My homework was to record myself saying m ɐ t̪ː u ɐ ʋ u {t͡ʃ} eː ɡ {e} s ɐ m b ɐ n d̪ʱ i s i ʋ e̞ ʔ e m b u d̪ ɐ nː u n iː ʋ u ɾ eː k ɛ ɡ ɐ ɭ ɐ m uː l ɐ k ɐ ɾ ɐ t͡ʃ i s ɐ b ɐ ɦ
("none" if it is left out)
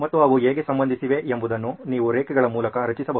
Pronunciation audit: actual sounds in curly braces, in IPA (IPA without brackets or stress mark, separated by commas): none, e